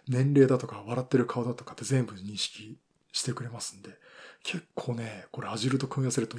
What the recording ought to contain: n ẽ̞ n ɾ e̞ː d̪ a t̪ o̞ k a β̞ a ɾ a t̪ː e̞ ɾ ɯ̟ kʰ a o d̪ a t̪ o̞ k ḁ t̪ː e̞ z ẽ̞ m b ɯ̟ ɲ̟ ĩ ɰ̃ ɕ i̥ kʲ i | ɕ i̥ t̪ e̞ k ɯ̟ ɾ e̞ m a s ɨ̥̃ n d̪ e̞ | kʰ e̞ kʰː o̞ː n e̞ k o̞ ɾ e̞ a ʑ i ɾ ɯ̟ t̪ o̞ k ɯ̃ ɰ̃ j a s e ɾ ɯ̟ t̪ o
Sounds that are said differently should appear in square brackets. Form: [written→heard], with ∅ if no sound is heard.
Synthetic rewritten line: n ẽ̞ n ɾ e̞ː d̪ a t̪ o̞ k a β̞ a ɾ a t̪ː e̞ ɾ ɯ̟ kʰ a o d̪ a t̪ o̞ k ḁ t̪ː e̞ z ẽ̞ m b ɯ̟ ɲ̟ ĩ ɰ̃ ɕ i̥ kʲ i | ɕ i̥ t̪ e̞ k ɯ̟ ɾ e̞ m a s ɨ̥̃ n d̪ e̞ | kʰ e̞ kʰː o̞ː n e̞ k o̞ ɾ e̞ a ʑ i ɾ ɯ̟ t̪ o̞ k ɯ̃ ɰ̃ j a s e ɾ ɯ̟ t̪ o